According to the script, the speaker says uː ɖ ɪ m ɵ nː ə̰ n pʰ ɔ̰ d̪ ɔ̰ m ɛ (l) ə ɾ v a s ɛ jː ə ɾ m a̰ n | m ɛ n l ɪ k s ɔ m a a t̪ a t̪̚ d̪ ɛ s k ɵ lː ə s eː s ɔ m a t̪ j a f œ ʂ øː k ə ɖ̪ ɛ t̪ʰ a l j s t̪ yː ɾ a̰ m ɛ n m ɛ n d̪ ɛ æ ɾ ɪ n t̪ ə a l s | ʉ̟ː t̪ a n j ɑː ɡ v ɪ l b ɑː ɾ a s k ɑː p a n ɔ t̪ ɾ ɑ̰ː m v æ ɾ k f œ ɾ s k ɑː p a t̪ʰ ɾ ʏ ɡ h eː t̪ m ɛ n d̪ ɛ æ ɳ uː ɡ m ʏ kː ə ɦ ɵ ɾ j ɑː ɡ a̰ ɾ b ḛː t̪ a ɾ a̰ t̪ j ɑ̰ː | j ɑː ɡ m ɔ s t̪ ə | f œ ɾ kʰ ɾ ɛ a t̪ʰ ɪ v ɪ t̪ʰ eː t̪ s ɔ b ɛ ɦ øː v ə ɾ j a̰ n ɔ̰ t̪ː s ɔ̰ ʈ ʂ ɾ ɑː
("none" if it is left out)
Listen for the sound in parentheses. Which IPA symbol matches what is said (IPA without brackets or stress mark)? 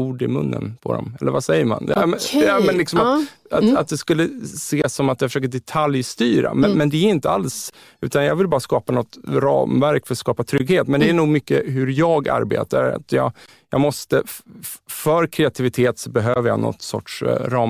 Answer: lː